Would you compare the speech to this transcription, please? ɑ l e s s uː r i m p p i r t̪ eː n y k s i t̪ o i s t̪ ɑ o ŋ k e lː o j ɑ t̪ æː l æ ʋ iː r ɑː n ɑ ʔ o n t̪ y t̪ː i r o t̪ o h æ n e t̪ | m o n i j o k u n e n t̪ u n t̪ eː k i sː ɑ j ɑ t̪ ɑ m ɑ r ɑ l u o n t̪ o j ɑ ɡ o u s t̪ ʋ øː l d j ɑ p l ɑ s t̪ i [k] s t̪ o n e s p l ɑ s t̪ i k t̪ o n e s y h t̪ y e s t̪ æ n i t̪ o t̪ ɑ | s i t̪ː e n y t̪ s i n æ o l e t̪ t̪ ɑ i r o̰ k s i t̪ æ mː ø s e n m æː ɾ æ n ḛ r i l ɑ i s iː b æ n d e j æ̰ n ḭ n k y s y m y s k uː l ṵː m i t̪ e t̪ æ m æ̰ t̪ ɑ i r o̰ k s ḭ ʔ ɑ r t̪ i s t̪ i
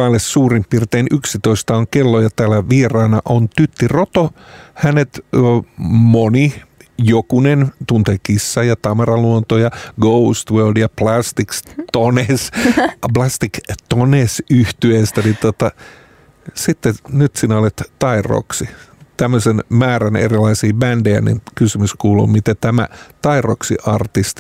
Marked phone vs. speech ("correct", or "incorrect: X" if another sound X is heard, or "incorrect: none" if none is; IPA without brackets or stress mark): correct